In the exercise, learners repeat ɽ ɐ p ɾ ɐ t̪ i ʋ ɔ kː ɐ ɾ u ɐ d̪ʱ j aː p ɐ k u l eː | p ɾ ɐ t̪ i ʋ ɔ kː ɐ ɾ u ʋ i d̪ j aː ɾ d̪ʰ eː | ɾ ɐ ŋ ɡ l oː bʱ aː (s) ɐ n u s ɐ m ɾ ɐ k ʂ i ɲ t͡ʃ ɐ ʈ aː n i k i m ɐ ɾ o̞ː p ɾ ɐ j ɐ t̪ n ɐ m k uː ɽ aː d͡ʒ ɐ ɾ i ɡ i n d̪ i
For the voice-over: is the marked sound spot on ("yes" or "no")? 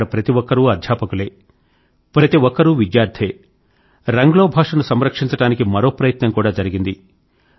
no